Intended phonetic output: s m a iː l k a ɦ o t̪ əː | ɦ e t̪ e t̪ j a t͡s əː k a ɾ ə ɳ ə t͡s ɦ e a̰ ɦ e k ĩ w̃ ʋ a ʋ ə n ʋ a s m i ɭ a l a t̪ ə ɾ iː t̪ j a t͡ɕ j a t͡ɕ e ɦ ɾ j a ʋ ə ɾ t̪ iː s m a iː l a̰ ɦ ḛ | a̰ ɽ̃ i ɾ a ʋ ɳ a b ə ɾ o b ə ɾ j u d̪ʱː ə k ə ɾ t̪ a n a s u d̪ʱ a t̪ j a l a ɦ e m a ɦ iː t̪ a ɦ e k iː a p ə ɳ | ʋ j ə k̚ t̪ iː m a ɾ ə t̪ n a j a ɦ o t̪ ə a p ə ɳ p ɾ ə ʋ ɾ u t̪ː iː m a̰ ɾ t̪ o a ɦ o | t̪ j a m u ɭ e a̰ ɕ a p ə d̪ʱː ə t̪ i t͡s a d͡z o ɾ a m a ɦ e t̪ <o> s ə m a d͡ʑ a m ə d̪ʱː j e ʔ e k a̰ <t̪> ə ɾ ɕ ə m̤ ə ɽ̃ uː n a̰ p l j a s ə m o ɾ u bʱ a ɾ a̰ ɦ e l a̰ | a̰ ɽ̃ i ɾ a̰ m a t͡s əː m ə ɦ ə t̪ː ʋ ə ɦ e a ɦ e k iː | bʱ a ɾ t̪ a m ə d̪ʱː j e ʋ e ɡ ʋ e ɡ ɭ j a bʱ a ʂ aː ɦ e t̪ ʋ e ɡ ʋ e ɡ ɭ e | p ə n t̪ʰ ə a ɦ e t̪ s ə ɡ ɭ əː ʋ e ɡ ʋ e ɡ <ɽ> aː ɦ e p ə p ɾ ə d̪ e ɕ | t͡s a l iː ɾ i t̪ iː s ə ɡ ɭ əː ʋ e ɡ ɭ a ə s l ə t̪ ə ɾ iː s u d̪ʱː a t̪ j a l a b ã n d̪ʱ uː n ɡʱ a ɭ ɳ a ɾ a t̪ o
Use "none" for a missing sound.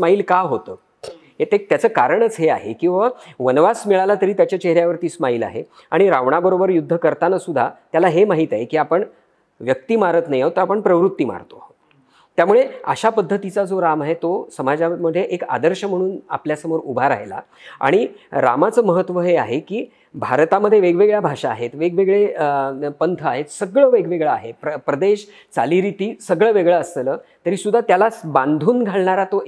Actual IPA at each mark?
o, d̪, ɭ

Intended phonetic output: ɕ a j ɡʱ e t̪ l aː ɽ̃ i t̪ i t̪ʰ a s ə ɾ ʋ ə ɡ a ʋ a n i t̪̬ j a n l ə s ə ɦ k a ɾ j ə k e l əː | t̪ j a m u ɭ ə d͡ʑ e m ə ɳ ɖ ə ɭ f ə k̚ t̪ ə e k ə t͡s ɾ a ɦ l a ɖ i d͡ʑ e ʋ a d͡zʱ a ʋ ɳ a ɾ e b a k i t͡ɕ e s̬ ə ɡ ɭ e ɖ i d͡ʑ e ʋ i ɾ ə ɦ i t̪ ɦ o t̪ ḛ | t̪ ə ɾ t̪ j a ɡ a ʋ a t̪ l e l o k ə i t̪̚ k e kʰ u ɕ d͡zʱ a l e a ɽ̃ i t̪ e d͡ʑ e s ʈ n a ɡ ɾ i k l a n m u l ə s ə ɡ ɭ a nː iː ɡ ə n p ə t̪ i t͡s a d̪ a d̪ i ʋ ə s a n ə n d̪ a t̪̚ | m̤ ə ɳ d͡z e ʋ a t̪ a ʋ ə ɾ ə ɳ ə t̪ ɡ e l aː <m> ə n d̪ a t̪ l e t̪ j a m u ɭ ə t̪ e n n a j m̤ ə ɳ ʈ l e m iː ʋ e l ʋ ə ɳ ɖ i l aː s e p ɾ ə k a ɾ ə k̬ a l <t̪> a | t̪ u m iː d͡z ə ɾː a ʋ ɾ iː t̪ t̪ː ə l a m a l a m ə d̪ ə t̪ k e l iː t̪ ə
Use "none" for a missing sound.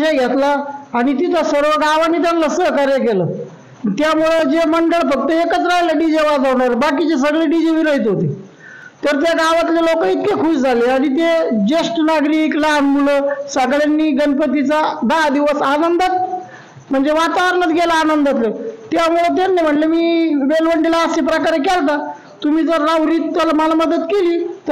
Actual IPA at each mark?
n, t̪

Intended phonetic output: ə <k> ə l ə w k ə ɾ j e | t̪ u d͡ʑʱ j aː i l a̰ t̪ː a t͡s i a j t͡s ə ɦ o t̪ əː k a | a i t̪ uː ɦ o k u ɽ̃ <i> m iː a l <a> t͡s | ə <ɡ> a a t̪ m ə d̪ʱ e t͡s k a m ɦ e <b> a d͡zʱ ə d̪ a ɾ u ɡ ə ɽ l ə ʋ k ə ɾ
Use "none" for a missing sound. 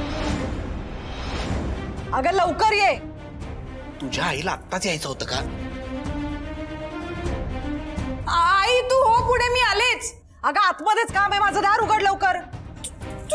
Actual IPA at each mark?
ɡ, e, e, ɡ, m

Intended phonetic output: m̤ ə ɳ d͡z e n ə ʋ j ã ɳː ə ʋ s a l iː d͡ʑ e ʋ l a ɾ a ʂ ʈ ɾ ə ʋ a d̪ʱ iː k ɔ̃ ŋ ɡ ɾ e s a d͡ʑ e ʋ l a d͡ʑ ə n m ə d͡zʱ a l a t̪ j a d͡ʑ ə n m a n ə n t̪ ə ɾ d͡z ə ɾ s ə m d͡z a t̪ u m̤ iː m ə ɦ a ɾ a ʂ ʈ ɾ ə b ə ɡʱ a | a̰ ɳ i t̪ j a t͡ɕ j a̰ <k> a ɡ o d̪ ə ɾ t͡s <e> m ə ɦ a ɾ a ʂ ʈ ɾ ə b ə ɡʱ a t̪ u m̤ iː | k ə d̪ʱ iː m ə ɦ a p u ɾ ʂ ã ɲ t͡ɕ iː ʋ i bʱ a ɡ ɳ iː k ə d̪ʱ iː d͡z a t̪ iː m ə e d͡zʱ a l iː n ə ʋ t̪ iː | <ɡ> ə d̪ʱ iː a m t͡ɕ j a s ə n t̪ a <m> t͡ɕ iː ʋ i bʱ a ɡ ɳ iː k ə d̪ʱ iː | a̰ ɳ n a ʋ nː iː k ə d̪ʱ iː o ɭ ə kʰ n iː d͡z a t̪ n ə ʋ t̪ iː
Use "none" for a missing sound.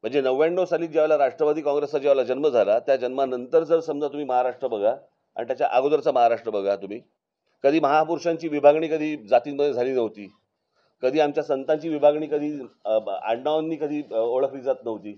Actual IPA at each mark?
ʔ, a, k, ɲ

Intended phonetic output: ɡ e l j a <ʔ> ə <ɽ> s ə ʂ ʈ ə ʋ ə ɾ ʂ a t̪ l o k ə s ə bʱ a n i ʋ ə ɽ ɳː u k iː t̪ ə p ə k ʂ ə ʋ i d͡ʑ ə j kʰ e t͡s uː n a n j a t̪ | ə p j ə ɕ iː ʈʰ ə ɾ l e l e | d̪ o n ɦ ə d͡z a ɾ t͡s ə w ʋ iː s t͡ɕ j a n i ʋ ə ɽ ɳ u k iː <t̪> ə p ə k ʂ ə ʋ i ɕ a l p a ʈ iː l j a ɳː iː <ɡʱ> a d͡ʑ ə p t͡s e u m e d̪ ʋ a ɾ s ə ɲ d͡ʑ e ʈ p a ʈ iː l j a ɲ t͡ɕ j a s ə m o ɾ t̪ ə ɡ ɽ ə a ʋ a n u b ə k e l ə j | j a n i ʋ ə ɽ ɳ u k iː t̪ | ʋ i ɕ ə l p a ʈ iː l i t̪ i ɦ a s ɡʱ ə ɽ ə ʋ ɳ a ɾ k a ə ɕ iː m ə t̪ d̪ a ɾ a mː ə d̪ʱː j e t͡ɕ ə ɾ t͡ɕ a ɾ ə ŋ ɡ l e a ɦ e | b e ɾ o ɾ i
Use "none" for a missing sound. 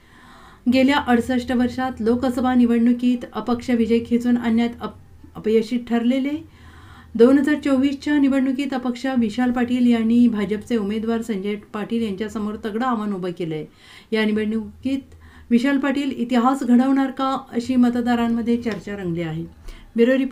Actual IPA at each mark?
ʔ, ɽ, t̪, bʱ

